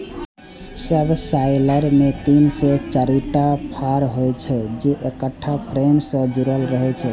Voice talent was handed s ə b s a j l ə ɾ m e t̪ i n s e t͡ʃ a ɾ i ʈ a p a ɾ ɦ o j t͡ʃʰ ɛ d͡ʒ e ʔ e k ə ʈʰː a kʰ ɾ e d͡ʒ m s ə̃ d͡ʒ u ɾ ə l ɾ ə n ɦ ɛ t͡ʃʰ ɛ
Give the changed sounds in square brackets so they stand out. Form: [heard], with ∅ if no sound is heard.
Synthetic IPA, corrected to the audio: s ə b s a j l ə ɾ m e t̪ i n s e t͡ʃ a ɾ i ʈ a [pʰ] a ɾ ɦ o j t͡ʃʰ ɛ d͡ʒ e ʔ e k ə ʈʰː a [pʰ] ɾ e [∅] m s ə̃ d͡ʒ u ɾ ə l ɾ ə [∅] ɦ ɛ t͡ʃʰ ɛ